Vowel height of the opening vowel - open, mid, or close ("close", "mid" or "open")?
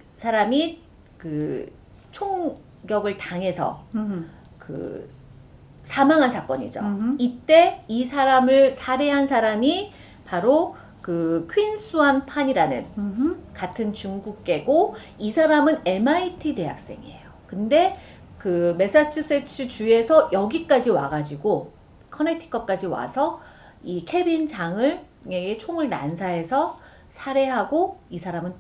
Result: open